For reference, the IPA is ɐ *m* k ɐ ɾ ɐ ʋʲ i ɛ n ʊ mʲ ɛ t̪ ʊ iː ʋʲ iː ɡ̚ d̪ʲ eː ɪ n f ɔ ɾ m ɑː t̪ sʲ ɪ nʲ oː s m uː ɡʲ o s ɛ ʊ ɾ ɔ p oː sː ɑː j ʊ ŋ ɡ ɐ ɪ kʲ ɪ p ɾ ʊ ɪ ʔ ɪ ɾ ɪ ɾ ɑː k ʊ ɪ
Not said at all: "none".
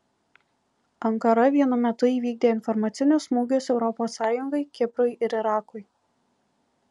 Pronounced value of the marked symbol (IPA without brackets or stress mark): ŋ